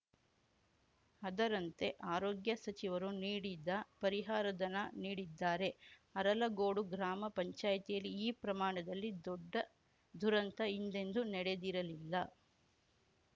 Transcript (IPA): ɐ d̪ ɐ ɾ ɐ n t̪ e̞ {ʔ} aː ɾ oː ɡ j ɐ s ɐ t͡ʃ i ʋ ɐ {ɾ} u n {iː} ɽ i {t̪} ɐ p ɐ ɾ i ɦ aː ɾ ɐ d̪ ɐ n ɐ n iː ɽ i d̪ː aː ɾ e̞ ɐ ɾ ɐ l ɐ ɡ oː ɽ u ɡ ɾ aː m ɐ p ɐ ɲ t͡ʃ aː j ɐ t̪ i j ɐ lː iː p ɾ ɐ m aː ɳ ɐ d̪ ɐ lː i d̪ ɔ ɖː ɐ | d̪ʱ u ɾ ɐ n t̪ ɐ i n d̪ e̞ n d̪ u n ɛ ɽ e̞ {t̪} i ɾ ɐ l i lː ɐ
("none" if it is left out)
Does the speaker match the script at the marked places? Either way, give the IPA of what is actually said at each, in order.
ʔ, ɾ, iː, d̪, d̪

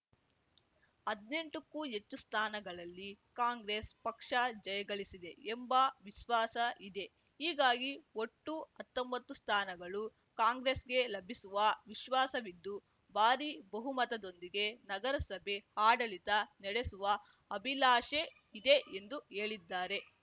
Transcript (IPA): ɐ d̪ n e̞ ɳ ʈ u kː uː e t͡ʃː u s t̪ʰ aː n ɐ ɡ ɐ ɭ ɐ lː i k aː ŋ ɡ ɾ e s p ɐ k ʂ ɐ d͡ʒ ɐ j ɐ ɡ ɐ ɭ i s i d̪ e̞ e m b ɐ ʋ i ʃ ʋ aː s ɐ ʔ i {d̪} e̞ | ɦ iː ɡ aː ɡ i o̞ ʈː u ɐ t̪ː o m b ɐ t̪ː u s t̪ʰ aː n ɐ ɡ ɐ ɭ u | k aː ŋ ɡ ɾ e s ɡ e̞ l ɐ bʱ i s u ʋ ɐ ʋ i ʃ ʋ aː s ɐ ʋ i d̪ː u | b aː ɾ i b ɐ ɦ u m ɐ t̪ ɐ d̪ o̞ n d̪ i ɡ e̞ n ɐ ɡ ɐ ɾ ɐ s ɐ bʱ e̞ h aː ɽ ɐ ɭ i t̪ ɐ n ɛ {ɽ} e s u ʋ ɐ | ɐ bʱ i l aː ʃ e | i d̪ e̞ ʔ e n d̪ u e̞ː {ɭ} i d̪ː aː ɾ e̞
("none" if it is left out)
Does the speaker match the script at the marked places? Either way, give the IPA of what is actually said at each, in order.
d̪, ɽ, ɭ

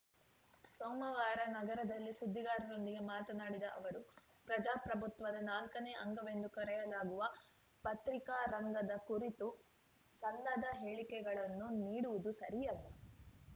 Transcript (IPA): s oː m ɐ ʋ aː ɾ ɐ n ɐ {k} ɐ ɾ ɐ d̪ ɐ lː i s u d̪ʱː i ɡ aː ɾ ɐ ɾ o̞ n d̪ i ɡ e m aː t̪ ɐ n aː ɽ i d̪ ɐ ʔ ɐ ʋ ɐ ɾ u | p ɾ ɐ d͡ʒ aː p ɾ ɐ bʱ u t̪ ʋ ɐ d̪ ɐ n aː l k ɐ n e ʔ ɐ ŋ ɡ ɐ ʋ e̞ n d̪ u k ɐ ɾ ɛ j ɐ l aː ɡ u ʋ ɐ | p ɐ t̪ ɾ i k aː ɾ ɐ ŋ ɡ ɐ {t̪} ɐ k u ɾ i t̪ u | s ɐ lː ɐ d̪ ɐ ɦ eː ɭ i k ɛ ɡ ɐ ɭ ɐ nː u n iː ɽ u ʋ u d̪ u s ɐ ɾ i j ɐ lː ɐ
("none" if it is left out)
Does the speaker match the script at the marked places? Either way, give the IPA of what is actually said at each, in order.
ɡ, d̪

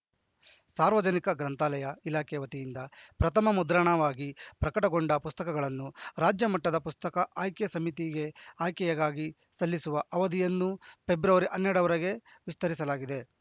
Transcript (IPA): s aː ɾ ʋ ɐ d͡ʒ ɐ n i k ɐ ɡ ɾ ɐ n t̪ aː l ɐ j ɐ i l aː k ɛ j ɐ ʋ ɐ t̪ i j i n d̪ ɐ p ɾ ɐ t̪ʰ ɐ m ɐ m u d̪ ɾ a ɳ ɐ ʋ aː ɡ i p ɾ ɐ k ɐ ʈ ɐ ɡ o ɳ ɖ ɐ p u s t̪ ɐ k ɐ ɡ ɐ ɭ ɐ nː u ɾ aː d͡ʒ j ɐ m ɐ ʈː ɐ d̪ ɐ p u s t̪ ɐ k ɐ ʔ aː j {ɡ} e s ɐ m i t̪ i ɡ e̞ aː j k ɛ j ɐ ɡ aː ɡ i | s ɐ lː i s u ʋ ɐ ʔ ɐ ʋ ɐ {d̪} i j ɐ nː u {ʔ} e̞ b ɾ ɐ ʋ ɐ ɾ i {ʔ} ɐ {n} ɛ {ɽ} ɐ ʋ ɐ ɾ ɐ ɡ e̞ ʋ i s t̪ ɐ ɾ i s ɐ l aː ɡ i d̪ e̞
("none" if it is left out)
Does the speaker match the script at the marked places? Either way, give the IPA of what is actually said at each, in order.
k, d̪, p, ʔ, nː, ɽ

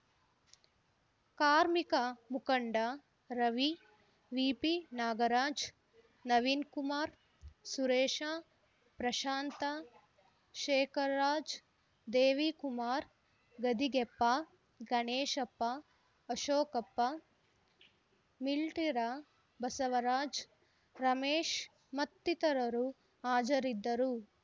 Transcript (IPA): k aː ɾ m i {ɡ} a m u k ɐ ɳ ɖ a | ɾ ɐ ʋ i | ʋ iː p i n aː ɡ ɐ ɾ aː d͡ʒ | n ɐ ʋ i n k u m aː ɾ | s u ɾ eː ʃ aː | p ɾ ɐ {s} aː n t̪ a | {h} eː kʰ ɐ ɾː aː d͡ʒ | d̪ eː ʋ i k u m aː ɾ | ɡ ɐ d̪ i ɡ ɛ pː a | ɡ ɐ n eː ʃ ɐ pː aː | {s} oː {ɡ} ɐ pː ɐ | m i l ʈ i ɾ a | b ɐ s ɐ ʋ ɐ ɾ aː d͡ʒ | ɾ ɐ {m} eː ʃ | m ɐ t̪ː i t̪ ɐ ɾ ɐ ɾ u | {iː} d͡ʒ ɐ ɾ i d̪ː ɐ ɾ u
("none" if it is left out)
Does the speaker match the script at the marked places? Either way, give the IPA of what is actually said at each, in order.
k, ʃ, ʃ, ʃ, k, m, aː

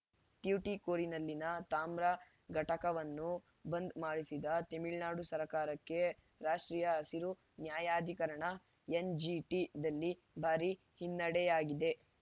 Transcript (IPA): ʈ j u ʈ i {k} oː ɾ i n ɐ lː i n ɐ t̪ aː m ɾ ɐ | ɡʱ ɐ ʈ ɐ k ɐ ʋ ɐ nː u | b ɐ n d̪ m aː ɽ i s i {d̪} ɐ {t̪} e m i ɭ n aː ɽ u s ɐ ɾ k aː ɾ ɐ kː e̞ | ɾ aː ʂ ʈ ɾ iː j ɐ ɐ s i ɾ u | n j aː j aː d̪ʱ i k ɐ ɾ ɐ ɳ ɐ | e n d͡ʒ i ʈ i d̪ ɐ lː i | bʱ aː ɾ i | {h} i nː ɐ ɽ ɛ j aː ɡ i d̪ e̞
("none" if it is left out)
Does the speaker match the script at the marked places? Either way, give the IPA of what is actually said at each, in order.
k, d̪, t̪, h

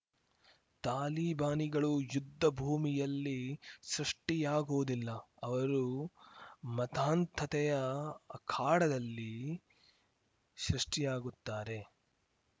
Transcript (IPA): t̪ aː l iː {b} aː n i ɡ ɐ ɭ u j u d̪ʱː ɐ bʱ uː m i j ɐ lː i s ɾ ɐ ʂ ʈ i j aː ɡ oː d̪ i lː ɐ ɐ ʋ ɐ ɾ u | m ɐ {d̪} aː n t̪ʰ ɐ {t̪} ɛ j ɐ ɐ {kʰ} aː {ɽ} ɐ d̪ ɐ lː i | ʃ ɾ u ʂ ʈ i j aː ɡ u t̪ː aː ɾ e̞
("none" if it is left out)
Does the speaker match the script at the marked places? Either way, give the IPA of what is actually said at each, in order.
b, t̪, t̪, kʰ, ɽ

